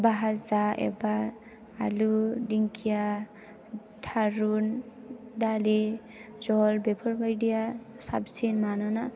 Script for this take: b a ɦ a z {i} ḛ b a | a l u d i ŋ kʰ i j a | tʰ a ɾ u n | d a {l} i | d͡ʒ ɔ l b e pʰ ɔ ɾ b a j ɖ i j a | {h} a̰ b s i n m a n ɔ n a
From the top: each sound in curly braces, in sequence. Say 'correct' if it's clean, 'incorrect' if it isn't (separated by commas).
incorrect, correct, incorrect